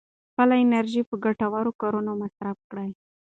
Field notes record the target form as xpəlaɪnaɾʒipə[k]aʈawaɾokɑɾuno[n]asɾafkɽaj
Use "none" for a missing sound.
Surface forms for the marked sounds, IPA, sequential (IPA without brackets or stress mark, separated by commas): ɡ, m